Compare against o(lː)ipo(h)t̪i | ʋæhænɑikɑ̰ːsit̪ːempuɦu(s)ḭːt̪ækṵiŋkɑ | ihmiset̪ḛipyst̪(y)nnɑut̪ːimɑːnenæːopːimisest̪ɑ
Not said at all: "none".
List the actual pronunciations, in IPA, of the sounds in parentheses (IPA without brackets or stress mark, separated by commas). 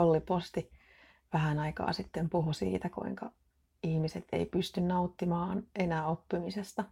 lː, s, s, y